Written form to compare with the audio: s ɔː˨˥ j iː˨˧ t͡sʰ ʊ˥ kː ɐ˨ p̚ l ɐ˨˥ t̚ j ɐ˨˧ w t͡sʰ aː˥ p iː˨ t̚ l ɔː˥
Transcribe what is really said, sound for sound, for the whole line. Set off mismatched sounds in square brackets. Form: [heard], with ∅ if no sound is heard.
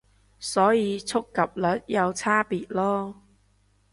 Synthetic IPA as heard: s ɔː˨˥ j iː˨˧ t͡sʰ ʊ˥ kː ɐ˨ p̚ l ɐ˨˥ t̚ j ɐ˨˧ w t͡sʰ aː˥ p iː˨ t̚ l ɔː˥